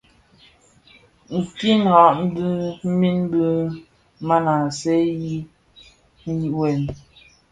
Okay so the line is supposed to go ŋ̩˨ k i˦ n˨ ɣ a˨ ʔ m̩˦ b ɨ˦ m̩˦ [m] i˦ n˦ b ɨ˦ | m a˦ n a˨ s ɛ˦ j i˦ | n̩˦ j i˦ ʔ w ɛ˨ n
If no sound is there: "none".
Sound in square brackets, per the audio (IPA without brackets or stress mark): m